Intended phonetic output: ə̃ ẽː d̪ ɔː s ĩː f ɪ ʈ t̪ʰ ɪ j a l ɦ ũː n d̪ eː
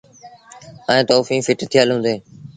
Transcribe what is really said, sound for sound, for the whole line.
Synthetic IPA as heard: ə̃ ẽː t̪ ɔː f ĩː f ɪ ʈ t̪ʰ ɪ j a l ɦ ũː n d̪ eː